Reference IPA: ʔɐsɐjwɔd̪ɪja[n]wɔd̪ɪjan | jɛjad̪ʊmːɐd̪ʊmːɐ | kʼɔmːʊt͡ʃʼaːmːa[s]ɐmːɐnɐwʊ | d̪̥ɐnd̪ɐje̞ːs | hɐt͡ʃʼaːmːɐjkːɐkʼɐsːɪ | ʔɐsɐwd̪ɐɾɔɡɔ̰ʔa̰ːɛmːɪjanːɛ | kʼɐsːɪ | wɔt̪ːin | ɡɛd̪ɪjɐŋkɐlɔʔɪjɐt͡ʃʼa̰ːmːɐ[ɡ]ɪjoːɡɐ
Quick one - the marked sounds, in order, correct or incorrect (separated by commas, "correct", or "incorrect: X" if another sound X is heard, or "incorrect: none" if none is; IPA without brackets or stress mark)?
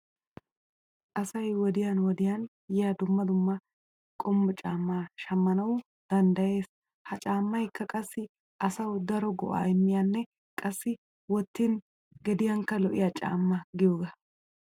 correct, incorrect: ʃ, correct